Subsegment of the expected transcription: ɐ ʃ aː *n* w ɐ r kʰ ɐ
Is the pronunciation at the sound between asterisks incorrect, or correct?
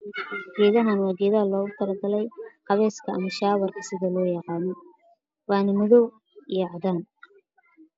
incorrect